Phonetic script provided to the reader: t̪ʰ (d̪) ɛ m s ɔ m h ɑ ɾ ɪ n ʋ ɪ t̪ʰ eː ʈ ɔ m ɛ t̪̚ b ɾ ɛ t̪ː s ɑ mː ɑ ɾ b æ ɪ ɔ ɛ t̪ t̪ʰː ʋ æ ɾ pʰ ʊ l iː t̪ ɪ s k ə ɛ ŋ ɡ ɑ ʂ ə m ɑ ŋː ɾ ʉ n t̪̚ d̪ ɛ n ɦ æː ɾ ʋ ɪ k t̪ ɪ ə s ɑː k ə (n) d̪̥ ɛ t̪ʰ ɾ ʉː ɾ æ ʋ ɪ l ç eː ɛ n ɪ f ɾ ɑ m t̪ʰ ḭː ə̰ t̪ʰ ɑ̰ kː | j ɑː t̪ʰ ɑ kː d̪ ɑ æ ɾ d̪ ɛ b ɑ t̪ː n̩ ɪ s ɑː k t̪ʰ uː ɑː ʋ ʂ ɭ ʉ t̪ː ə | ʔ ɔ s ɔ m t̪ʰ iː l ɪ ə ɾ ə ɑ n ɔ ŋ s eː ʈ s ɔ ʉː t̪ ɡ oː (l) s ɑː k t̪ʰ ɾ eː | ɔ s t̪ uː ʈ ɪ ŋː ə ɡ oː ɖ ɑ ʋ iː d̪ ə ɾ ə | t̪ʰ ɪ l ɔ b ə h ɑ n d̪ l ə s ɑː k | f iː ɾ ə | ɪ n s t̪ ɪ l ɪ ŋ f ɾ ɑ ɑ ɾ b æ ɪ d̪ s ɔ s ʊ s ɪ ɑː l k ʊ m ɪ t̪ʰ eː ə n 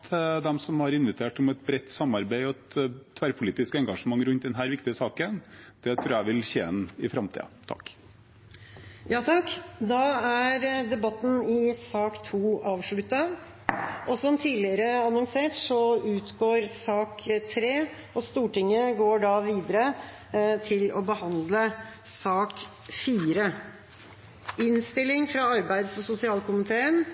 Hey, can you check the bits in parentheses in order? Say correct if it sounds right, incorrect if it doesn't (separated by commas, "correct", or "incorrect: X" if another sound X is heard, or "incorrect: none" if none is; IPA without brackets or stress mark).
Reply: correct, correct, incorrect: ɾ